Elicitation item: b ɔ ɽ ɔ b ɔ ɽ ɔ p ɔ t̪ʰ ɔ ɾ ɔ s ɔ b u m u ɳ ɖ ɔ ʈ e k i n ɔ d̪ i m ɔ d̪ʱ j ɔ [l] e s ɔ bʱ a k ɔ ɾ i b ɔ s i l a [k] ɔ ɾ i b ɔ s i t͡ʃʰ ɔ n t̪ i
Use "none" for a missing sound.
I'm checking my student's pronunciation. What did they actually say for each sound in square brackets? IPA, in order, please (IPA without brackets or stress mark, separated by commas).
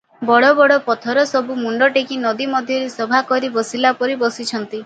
ɾ, p